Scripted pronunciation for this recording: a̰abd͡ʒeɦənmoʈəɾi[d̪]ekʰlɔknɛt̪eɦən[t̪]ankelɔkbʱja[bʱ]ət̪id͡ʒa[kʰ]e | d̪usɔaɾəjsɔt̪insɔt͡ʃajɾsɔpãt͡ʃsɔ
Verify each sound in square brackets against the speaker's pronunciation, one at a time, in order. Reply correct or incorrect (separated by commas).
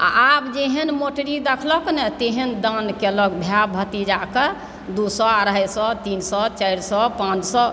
correct, incorrect, correct, incorrect